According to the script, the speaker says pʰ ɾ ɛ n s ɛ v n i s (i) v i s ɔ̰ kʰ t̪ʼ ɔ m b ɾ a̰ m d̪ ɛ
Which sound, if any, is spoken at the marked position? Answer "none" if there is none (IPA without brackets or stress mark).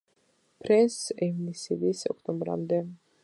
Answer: i